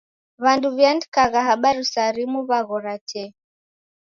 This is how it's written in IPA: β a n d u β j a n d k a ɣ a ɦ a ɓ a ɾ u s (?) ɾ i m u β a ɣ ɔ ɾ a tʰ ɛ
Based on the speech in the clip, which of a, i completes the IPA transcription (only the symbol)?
a